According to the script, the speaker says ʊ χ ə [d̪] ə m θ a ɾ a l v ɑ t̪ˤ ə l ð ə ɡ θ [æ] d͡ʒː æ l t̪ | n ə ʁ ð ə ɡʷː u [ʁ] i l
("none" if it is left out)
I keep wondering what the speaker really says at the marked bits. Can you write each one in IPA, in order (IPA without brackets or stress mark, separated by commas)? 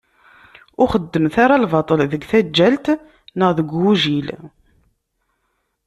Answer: d̪ː, æ, ʒ